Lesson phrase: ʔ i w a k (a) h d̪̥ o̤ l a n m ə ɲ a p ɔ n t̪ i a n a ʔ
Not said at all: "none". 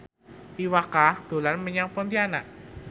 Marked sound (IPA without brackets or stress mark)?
a